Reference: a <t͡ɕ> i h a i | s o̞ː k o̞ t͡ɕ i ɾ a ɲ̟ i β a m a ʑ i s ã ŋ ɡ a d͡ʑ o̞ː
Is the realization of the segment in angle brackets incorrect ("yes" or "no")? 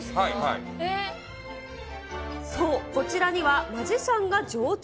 yes